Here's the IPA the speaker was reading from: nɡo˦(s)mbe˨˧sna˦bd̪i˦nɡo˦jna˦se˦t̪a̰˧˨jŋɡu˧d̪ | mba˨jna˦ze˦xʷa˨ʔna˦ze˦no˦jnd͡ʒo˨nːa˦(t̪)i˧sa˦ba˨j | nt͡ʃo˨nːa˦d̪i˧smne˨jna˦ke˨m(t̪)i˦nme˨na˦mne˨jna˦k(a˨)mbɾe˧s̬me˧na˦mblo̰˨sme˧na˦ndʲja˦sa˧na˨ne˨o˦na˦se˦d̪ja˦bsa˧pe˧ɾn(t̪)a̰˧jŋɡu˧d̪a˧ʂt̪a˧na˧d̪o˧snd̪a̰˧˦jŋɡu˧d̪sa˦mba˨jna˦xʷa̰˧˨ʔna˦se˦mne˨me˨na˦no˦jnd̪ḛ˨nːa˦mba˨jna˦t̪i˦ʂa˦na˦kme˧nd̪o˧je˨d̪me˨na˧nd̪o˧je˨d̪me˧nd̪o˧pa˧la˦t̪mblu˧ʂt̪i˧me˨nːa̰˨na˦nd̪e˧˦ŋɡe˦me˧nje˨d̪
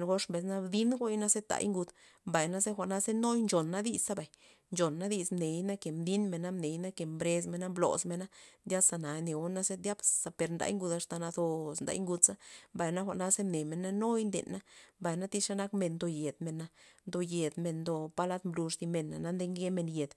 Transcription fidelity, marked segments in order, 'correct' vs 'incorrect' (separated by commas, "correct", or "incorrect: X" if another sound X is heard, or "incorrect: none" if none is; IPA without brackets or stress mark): incorrect: ʂ, incorrect: d̪, incorrect: d̪, incorrect: e˨, incorrect: d̪